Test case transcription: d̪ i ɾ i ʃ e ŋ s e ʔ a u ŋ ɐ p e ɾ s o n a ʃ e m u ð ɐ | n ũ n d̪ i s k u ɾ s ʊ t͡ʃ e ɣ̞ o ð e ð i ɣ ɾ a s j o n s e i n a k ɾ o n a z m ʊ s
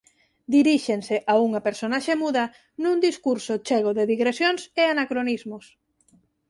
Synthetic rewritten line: d̪ i ɾ i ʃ e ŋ s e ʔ a u ŋ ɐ p e ɾ s o n a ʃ e m u ð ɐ | n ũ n d̪ i s k u ɾ s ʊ t͡ʃ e ɣ̞ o ð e ð i ɣ ɾ e s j o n s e a n a k ɾ o n i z m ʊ s